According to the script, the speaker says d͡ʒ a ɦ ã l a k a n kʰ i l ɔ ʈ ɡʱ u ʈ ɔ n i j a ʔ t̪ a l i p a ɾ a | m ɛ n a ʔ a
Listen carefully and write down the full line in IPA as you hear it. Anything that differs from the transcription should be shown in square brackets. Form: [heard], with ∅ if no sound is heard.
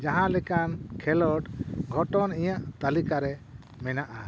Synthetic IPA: d͡ʒ a ɦ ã l [ɛ] k a n kʰ [ɛ] l ɔ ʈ ɡʱ [ɔ] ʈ ɔ n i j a ʔ t̪ a l i [k] a ɾ [ɛ] | m ɛ n a ʔ a